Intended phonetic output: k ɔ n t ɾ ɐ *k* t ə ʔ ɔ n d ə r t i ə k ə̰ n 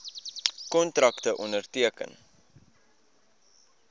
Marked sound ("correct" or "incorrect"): correct